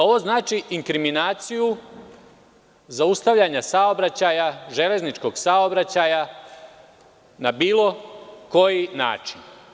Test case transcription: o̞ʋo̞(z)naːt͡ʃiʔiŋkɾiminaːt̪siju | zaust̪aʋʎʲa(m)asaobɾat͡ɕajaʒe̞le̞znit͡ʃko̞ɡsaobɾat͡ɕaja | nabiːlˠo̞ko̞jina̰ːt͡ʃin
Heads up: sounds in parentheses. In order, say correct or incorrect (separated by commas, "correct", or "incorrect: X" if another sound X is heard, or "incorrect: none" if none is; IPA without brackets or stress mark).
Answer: correct, incorrect: ɲ